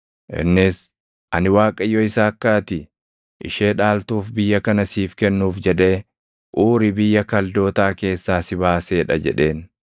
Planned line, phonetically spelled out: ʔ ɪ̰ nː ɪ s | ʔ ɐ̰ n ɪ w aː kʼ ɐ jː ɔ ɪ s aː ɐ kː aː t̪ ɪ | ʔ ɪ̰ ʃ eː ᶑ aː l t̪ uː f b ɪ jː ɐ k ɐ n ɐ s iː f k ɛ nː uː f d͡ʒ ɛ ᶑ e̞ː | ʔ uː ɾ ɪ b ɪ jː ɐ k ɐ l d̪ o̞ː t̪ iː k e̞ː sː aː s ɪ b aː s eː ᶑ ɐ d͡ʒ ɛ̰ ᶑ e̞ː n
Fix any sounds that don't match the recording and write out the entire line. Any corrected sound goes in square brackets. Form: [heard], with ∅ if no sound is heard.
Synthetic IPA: ʔ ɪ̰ nː ɪ s | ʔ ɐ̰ n ɪ w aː kʼ ɐ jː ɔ ɪ s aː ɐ kː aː t̪ ɪ | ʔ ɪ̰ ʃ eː ᶑ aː l t̪ uː f b ɪ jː ɐ k ɐ n ɐ s iː f k ɛ nː uː f d͡ʒ ɛ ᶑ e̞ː | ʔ uː ɾ ɪ b ɪ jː ɐ k ɐ l d̪ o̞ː t̪ [aː] k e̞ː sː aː s ɪ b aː s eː ᶑ ɐ d͡ʒ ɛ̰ ᶑ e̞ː n